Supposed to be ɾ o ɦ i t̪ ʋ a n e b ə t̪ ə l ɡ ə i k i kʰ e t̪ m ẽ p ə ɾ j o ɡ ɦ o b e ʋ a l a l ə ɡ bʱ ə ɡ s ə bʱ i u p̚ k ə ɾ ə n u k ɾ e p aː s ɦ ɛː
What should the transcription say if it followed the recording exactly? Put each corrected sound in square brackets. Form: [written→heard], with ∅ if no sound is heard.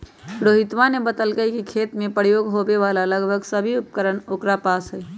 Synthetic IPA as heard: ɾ o ɦ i t̪ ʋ a n e b ə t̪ ə l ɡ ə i k i kʰ e t̪ m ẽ p ə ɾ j o ɡ ɦ o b e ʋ a l a l ə ɡ bʱ ə ɡ s ə bʱ i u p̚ k ə ɾ ə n [u→o] k ɾ [e→a] p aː s ɦ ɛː